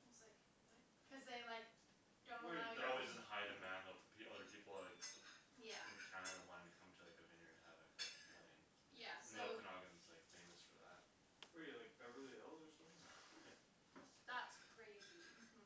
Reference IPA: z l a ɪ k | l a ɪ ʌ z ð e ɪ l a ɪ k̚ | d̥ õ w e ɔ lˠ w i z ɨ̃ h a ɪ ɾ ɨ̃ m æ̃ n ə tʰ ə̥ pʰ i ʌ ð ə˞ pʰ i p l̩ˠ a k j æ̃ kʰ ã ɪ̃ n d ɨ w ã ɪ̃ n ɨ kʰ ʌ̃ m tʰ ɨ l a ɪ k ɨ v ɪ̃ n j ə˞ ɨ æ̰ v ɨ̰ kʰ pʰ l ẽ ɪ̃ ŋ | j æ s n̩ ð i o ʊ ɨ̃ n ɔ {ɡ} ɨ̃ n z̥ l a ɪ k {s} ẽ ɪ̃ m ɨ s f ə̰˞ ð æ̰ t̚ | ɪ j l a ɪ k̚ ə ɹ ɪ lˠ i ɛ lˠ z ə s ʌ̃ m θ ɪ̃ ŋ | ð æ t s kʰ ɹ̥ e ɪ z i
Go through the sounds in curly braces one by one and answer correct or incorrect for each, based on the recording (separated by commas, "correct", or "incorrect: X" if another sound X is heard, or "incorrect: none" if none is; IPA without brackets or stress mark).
correct, incorrect: f